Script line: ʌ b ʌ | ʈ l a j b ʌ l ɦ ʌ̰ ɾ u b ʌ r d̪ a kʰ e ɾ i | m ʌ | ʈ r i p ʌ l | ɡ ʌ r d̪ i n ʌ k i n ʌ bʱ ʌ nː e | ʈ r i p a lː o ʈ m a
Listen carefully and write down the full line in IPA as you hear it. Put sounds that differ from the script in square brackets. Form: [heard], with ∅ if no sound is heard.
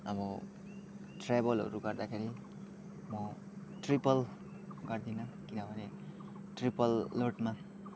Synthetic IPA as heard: ʌ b ʌ | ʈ [r] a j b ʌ l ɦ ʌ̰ ɾ u [ɡ] ʌ r d̪ a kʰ e ɾ i | m ʌ | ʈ r i p ʌ l | ɡ ʌ r d̪ i n ʌ k i n ʌ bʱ ʌ [n] e | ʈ r i p [ʌ] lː o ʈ m a